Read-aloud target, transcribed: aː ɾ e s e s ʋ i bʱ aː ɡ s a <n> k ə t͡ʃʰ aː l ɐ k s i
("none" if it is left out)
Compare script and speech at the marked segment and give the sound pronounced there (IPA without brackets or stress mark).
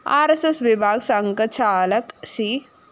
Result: ŋ